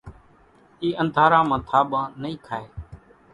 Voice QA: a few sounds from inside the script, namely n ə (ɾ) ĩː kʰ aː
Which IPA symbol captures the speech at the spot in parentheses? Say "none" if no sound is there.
none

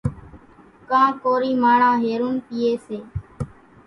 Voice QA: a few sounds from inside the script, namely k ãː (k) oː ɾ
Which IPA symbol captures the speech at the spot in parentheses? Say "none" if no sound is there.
k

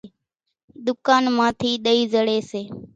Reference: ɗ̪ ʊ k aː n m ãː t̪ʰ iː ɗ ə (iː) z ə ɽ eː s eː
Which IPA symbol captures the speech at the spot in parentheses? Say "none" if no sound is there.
iː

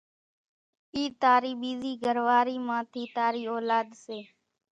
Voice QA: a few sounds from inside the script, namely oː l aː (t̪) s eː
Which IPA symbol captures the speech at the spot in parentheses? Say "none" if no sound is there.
d̪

